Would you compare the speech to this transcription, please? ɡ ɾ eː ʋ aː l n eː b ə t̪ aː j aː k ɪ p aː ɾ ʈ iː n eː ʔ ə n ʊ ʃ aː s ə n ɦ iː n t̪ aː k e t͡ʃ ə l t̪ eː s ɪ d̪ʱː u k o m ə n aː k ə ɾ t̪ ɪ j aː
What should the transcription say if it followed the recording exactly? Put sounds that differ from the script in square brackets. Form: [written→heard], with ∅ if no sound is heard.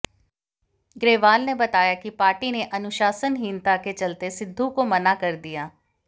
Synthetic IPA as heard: ɡ ɾ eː ʋ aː l n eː b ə t̪ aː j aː k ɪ p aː ɾ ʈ iː n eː ʔ ə n ʊ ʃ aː s ə n ɦ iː n t̪ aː k e t͡ʃ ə l t̪ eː s ɪ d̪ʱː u k o m ə n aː k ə ɾ [t̪→d̪] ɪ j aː